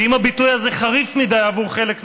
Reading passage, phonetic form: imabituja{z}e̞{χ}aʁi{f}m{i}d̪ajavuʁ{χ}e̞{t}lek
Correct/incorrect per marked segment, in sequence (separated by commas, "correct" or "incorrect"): correct, correct, correct, correct, correct, incorrect